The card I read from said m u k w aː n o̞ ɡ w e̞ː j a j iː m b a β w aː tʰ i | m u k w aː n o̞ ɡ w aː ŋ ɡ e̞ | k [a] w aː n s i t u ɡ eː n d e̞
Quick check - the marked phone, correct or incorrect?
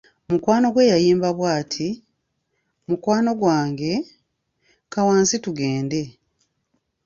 correct